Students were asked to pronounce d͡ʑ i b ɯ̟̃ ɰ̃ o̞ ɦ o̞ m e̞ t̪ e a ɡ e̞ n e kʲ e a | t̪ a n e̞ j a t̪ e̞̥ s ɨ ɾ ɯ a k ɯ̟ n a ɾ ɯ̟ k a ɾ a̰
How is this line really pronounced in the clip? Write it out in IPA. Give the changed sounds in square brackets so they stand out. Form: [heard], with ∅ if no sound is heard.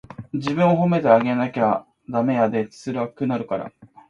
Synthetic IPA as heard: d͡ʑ i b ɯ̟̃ ɰ̃ o̞ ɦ o̞ m e̞ t̪ e a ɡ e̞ n [a] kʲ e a | [d̪] a [m] e̞ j a [d̪] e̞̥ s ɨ ɾ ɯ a k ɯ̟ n a ɾ ɯ̟ k a ɾ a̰